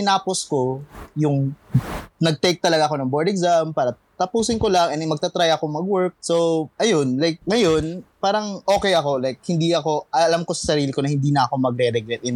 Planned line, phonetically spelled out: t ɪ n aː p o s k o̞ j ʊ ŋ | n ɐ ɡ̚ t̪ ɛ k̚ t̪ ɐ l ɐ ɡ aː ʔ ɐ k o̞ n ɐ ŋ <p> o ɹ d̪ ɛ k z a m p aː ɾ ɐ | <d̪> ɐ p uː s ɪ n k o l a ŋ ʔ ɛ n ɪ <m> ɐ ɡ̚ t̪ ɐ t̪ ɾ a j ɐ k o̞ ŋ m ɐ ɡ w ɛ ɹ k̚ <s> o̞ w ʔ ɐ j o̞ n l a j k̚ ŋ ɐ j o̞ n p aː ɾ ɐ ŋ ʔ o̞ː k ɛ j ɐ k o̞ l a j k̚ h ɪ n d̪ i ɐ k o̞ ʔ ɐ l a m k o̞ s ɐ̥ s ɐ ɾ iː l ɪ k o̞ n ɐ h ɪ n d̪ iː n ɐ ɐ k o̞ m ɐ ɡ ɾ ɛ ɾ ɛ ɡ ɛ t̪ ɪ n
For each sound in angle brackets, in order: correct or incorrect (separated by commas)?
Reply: incorrect, incorrect, correct, correct